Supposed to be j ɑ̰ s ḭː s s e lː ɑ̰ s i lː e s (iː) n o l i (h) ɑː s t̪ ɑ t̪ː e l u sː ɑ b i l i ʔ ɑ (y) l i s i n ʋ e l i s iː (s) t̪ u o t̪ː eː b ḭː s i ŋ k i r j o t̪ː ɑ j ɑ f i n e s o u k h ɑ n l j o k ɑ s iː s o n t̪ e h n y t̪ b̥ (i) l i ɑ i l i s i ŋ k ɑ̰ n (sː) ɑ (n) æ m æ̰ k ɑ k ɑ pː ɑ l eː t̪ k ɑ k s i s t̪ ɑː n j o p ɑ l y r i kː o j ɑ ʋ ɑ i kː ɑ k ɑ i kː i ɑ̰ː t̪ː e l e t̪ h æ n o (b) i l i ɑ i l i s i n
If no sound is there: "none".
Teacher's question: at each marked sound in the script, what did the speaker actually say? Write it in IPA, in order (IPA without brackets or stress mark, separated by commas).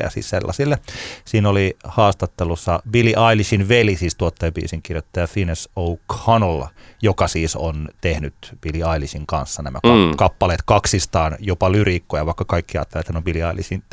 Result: iː, h, i, s, i, sː, n, b